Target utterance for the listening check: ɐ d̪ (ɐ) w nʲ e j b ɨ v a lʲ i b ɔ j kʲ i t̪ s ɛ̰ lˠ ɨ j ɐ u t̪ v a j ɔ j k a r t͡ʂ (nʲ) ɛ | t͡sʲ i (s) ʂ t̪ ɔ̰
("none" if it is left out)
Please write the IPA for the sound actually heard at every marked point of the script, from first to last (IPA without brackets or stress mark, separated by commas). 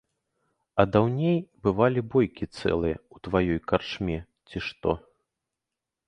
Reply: a, mʲ, none